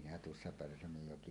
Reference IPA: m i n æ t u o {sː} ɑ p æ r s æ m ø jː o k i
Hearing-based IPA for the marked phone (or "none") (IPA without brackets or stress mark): sː